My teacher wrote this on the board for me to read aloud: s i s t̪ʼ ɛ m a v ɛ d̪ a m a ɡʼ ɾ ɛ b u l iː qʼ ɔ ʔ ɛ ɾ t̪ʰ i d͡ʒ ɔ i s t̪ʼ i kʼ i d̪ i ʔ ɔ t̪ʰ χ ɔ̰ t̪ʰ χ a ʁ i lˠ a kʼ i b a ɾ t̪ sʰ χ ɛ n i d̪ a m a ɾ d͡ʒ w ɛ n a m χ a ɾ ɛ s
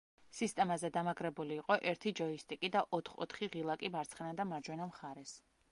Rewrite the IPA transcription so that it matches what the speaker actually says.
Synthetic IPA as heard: s i s t̪ʼ ɛ m a z ɛ d̪ a m a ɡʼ ɾ ɛ b u l iː qʼ ɔ ʔ ɛ ɾ t̪ʰ i d͡ʒ ɔ i s t̪ʼ i kʼ i d̪ a ʔ ɔ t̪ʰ χ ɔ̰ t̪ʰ χ i ʁ i lˠ a kʼ i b a ɾ t̪ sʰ χ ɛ n a d̪ a m a ɾ d͡ʒ w ɛ n a m χ a ɾ ɛ s